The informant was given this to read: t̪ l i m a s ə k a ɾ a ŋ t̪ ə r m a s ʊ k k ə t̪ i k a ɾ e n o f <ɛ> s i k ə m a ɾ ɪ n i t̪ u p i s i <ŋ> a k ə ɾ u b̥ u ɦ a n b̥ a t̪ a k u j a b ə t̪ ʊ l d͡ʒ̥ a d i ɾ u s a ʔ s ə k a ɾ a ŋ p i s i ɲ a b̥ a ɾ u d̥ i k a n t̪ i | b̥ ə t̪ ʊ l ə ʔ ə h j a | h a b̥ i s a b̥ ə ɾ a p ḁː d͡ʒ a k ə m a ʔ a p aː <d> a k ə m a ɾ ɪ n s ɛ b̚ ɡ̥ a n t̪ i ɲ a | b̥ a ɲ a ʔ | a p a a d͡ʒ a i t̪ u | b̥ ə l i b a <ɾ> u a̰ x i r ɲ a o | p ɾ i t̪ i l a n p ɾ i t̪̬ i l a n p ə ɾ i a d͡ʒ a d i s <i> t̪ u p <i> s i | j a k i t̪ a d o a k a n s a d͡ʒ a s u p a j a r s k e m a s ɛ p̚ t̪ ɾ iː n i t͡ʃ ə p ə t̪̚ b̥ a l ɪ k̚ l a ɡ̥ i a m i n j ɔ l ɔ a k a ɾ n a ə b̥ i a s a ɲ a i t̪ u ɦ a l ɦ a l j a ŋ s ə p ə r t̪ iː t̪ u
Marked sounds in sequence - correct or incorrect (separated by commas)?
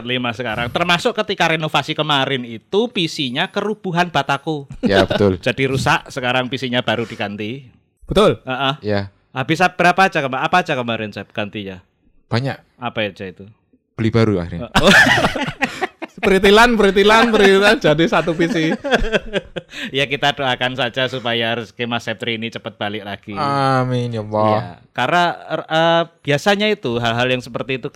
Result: incorrect, incorrect, incorrect, correct, incorrect, correct